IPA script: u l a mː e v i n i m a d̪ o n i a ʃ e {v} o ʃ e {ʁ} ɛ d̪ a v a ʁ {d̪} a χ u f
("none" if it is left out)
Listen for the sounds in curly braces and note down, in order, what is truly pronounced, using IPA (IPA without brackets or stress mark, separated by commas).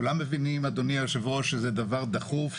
v, z, d̪